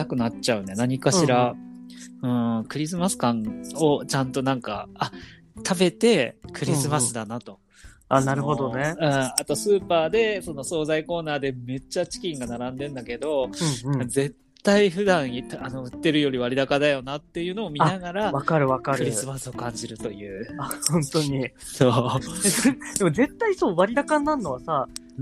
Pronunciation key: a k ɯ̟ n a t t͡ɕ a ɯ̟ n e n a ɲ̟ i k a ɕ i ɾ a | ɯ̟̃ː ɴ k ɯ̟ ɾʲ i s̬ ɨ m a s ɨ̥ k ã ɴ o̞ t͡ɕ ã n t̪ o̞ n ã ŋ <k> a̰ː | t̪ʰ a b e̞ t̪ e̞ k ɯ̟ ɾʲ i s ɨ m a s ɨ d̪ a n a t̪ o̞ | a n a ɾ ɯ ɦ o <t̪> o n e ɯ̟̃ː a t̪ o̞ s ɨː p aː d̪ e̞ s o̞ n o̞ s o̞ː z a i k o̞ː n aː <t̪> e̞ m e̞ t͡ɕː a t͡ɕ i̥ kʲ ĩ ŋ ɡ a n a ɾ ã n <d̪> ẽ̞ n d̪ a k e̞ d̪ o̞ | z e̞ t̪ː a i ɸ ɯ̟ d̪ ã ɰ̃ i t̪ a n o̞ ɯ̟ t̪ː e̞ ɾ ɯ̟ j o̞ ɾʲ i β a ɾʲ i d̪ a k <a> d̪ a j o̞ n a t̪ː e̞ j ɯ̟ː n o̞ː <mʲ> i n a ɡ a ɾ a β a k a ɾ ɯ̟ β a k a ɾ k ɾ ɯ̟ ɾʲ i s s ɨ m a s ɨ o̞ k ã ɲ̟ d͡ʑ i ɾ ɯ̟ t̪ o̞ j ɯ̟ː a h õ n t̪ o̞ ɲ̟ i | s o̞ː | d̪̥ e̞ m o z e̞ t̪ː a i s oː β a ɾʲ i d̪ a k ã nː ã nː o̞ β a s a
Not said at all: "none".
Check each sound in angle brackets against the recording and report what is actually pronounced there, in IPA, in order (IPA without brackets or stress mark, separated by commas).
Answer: k, d̪, d̪, d̪, a, mʲ